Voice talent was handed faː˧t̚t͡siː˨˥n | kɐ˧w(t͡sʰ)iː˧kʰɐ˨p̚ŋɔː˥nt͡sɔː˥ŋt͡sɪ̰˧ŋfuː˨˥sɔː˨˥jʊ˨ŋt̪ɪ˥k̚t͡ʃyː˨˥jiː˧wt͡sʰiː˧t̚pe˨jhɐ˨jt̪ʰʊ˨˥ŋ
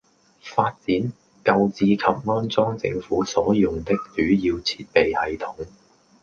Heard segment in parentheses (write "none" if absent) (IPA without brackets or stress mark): t͡s